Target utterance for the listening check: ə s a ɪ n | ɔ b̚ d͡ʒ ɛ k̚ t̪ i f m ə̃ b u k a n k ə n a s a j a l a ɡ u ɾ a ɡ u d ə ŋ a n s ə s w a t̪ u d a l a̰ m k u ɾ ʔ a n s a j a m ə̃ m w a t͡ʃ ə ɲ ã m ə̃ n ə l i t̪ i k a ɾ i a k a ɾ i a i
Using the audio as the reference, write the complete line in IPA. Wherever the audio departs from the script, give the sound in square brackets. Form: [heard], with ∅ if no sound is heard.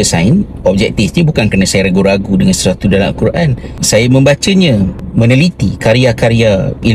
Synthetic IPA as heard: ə s a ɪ n | ɔ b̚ d͡ʒ ɛ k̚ t̪ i f [ɲ] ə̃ b u k a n k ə n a s a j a [ɾ] a ɡ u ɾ a ɡ u d ə ŋ a n s ə s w a t̪ u d a l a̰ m k u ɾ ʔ a n s a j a m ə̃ m [b] a t͡ʃ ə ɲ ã m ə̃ n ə l i t̪ i k a ɾ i a k a ɾ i a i